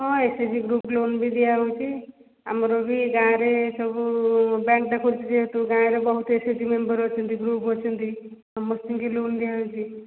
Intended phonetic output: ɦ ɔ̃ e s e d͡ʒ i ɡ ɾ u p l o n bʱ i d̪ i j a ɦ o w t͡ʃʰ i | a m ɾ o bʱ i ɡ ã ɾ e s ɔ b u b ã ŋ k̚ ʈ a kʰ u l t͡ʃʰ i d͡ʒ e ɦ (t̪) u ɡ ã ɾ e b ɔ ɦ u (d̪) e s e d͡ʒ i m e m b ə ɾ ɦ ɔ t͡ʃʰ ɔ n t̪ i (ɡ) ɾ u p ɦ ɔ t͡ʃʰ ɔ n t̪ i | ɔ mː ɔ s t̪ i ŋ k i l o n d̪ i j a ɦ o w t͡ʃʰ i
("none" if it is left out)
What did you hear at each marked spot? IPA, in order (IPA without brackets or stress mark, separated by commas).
t̪, t̪, ɡ